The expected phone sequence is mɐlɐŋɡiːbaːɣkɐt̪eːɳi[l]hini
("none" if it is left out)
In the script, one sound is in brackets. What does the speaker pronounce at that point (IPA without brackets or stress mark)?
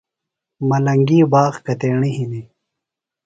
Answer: none